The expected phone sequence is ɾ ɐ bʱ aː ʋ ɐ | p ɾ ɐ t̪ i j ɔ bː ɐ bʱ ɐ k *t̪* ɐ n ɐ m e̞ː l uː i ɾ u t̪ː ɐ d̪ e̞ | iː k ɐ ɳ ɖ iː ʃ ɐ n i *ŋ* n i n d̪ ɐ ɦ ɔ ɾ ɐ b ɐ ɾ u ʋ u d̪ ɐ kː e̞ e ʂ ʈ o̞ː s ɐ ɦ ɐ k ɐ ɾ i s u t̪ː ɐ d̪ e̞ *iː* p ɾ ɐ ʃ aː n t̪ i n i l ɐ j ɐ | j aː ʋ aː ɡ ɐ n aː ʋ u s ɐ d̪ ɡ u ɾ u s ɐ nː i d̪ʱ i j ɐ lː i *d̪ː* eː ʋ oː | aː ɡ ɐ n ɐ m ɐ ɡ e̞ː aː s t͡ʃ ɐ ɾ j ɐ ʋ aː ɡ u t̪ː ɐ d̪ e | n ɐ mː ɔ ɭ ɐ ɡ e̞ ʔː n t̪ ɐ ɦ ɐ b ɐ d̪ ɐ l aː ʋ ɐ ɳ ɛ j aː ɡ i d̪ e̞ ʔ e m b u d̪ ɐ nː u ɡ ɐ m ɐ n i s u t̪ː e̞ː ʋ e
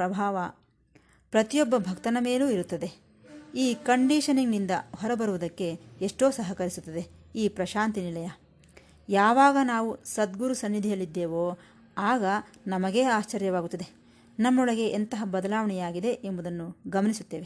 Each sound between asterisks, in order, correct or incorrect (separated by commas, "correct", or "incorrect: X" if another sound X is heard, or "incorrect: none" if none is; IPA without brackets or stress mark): correct, correct, correct, correct